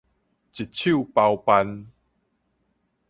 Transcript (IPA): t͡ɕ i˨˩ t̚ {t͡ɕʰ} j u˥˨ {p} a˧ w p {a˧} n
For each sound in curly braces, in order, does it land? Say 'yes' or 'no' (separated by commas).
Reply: yes, yes, yes